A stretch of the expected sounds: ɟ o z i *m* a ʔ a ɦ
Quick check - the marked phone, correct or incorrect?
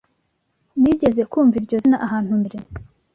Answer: incorrect